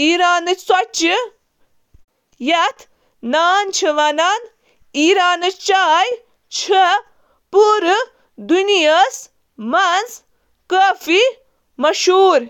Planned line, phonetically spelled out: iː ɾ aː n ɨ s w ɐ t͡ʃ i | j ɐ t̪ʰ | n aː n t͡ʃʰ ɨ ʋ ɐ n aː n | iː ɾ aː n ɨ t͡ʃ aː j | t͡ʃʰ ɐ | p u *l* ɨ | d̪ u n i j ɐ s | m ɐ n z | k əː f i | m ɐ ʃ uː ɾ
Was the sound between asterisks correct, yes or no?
no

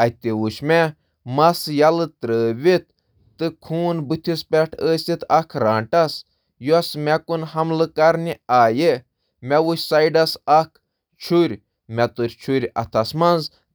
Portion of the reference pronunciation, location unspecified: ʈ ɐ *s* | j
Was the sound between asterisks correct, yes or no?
yes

